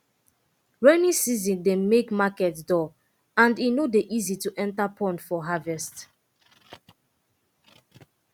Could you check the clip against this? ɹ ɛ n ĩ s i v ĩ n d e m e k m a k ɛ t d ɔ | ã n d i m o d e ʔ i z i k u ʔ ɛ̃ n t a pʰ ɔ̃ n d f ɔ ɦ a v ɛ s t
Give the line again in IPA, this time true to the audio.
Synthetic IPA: ɹ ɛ n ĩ s i z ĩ n d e m e k m a k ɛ t d ɔ | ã n d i n o d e ʔ i z i t u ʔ ɛ̃ n t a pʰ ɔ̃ n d f ɔ ɦ a v ɛ s t